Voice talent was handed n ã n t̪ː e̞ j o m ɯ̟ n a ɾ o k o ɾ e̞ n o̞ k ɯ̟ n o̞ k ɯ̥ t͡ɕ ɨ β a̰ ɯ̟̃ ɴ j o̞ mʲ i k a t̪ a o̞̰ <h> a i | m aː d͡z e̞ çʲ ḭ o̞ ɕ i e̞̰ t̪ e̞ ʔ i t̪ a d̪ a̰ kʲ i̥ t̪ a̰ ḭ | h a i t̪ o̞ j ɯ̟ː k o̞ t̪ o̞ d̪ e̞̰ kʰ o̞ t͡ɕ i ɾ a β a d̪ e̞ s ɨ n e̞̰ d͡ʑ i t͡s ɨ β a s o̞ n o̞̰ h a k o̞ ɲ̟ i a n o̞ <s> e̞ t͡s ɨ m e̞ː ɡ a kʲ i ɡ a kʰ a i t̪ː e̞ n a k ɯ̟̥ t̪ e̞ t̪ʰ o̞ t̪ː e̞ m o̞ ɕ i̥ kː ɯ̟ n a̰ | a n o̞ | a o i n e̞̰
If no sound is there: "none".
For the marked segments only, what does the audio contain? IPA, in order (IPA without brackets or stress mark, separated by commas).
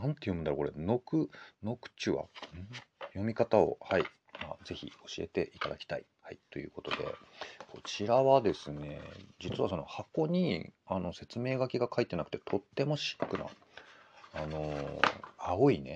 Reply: h, s